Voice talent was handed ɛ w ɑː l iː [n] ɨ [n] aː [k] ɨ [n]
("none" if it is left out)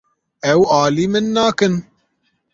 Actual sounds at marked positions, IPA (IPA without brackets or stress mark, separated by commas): m, nː, k, n